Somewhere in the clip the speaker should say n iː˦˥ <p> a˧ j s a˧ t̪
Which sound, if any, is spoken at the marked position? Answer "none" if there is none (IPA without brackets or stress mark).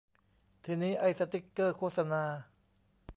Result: ʔ